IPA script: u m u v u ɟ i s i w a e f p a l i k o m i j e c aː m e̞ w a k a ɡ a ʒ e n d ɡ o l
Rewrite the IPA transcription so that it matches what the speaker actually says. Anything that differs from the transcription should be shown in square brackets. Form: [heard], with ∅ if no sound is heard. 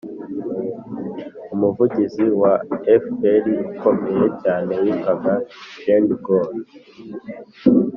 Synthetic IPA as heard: u m u v u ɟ i [z] i w a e f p [e] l i k o m [e] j e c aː [n] e̞ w [i] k a ɡ a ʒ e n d ɡ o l